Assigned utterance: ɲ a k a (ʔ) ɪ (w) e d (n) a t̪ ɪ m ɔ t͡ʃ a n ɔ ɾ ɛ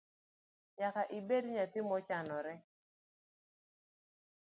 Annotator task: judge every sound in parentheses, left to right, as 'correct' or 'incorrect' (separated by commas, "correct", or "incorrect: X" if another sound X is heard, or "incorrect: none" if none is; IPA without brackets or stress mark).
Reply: correct, incorrect: b, incorrect: ɲ